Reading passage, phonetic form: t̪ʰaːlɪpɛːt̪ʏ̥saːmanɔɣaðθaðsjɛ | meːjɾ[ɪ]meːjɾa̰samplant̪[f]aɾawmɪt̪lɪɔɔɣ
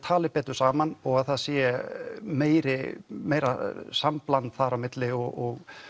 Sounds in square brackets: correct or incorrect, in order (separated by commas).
correct, incorrect